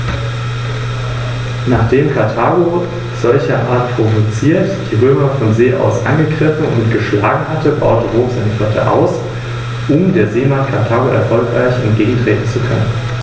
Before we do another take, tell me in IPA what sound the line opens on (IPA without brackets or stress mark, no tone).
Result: n